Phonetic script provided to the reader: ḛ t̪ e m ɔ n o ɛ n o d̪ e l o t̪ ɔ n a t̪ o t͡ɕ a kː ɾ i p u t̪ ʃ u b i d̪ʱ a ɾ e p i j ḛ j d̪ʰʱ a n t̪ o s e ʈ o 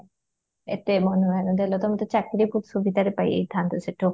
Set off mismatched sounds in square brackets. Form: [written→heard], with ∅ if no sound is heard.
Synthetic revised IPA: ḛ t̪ e m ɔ n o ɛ n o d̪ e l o t̪ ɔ [n→m] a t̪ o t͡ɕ a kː ɾ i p u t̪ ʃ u b i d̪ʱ a ɾ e p [i→a] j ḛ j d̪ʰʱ a n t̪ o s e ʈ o